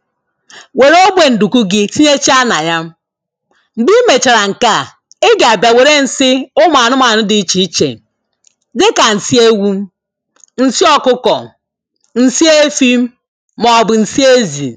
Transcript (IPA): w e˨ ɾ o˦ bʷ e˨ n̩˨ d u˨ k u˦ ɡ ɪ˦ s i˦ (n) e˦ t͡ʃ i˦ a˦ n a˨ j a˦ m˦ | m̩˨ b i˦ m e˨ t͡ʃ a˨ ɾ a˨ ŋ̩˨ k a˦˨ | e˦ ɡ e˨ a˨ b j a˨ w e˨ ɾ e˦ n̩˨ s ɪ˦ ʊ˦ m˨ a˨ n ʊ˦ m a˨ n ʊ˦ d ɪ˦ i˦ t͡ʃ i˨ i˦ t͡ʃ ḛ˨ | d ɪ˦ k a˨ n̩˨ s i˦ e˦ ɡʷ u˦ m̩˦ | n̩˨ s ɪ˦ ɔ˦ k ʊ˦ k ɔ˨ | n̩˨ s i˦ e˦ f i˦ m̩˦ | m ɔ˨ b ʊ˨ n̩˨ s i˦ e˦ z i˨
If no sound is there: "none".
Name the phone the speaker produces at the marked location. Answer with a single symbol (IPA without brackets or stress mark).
ɲ